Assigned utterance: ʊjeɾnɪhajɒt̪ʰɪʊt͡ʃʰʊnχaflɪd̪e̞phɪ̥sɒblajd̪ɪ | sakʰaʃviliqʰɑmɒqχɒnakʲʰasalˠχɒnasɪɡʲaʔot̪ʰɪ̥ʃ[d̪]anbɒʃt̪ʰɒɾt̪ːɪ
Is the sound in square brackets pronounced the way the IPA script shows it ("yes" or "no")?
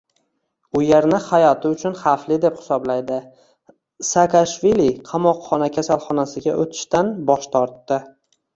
no